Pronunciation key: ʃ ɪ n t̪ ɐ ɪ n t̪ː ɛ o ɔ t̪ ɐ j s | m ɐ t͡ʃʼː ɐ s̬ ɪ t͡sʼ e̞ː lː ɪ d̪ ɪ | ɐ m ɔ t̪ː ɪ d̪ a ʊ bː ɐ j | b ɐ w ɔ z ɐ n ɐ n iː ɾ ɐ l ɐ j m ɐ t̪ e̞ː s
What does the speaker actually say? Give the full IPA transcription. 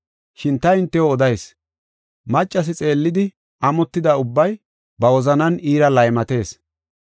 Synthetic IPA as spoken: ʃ ɪ n t̪ ɐ ɪ n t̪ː ɛ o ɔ d̪ ɐ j s | m ɐ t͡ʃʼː ɐ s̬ ɪ t͡sʼ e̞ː lː ɪ d̪ ɪ | ɐ m ɔ t̪ː ɪ d̪ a ʊ bː ɐ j | b ɐ w ɔ z ɐ n ɐ n iː ɾ ɐ l ɐ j m ɐ t̪ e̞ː s